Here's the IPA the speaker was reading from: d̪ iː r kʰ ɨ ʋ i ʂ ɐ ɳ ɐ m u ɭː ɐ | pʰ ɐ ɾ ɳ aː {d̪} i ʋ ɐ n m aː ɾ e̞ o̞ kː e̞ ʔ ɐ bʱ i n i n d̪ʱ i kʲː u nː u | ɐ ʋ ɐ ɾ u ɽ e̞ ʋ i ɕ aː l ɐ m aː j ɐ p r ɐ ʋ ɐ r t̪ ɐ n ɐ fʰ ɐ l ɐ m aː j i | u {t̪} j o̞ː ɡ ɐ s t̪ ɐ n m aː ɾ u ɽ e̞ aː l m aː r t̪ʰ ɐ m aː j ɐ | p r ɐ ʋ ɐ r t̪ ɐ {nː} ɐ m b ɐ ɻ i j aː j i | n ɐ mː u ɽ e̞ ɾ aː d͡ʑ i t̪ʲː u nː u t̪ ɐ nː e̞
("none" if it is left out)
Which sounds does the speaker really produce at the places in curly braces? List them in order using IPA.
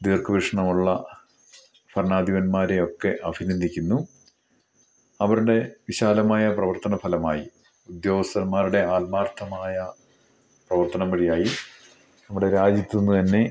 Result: d̪, d̪, n

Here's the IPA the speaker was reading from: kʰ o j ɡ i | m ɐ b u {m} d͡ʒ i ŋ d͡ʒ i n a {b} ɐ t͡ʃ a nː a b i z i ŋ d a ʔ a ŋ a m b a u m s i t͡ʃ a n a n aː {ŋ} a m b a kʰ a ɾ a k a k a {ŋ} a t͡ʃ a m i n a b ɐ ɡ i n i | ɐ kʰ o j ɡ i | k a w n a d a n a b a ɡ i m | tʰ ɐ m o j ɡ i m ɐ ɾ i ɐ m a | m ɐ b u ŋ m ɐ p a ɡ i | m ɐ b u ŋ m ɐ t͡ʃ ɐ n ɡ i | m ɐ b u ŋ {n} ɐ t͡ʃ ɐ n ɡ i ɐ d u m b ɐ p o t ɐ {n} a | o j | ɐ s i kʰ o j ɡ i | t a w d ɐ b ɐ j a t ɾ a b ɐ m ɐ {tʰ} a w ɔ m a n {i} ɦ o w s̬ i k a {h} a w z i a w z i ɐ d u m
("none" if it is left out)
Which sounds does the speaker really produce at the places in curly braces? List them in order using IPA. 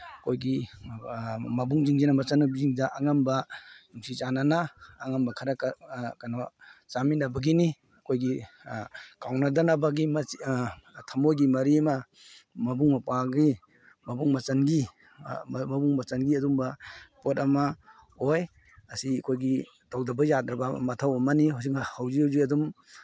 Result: ŋ, m, ŋ, n, m, m, tʰ, i, h

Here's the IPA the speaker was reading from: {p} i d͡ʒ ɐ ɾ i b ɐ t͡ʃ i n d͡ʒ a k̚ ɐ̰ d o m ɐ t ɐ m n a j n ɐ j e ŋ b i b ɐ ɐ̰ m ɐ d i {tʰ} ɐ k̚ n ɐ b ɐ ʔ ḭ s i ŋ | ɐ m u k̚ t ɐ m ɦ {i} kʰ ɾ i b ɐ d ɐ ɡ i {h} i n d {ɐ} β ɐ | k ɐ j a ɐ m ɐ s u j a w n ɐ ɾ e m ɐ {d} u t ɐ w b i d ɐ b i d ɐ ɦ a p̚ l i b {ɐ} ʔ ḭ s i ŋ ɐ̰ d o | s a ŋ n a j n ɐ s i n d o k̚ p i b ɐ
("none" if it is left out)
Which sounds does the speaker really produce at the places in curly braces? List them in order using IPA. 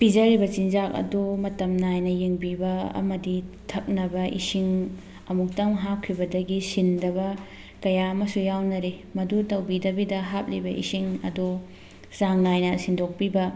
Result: p, tʰ, a, s, ɐ, d, ɐ

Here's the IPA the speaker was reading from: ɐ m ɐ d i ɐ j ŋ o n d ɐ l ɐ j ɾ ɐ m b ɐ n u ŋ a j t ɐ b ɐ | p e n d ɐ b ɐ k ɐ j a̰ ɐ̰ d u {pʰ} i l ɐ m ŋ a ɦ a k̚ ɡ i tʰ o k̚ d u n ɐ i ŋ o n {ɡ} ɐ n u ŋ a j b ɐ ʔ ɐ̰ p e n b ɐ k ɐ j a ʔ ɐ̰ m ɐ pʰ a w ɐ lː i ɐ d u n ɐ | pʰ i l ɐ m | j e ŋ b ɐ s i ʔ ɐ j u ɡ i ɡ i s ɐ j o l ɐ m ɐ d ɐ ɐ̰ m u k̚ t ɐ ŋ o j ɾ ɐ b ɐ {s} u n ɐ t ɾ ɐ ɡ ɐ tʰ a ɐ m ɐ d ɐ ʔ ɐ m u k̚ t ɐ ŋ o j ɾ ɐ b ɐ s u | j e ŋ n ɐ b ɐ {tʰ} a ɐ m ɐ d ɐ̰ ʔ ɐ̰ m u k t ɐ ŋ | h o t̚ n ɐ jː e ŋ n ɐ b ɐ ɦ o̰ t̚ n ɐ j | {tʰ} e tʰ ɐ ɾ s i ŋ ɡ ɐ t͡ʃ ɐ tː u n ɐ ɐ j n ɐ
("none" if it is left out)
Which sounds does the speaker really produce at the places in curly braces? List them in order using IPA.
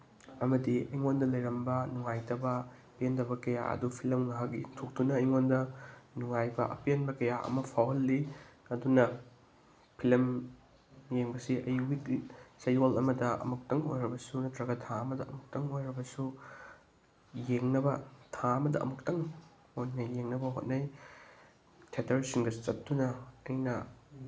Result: pʰ, d, s, tʰ, tʰ

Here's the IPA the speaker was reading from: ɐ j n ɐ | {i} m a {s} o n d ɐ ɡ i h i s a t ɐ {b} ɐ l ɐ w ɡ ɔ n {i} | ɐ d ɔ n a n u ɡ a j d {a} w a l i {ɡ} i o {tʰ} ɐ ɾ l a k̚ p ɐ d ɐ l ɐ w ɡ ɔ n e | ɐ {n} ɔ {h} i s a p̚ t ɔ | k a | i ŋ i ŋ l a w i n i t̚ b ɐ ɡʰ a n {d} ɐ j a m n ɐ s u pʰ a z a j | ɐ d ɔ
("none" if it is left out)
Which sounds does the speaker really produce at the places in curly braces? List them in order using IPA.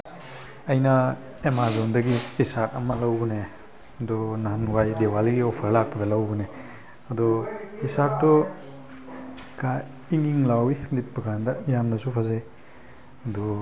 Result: e, z, m, e, e, ɡ, pʰ, d, h, d

